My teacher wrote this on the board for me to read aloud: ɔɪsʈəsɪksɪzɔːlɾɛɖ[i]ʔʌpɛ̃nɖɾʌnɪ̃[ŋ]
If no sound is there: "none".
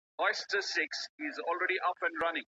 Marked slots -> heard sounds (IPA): i, ŋ

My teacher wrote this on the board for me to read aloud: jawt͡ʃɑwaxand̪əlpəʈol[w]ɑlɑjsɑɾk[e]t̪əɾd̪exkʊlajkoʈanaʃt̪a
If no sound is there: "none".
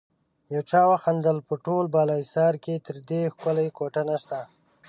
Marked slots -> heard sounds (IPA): b, e

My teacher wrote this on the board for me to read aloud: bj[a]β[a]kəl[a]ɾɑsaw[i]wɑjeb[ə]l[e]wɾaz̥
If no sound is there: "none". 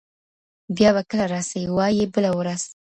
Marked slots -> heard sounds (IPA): ɑ, a, a, i, ə, a

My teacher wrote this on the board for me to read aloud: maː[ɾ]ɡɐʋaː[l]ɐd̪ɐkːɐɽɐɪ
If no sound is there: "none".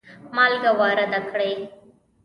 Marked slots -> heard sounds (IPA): l, ɾ

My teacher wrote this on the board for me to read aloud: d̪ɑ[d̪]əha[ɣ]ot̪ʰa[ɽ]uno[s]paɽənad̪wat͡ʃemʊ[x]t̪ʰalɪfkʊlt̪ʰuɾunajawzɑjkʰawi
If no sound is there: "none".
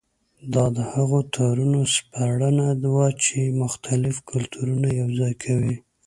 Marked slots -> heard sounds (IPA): d̪, ɣ, ɾ, s, x

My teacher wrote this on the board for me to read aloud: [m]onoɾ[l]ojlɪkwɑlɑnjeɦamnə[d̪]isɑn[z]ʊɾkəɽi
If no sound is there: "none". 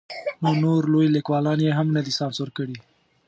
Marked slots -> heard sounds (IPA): n, l, d̪, s

